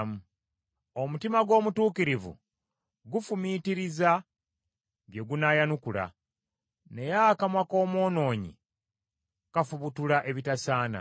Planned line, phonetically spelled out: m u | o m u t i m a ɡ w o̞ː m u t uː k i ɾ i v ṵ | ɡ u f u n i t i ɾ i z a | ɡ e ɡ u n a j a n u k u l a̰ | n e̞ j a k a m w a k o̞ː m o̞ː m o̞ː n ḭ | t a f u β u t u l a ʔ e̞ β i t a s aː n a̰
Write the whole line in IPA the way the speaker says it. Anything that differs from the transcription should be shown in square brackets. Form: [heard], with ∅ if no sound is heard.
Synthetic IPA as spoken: m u | o m u t i m a ɡ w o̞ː m u t uː k i ɾ i v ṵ | ɡ u f u [m] i t i ɾ i z a | ɡ e ɡ u n a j a n u k u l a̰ | n e̞ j a k a m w a k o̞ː m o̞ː [n] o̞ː [ɲ] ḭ | [k] a f u β u t u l a ʔ e̞ β i t a s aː n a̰